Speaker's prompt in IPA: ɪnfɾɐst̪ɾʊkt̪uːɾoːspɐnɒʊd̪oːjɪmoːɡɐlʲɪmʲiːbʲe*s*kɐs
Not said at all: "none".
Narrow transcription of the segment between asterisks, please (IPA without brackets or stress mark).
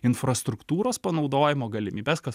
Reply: s